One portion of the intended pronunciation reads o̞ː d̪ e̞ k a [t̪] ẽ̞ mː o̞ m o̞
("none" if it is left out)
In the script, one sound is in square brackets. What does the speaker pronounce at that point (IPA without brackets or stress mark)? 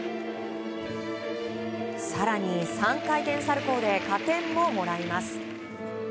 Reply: t̪